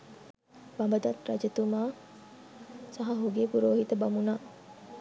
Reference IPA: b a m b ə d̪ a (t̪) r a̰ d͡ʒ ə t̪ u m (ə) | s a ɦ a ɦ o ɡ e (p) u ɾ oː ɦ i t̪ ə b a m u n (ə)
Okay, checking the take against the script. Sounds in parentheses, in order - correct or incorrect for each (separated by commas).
correct, incorrect, correct, incorrect